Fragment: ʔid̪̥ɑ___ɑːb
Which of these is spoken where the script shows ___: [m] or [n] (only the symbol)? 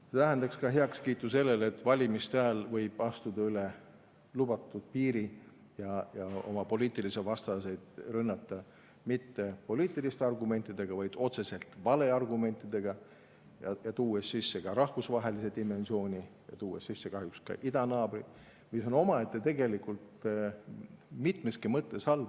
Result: n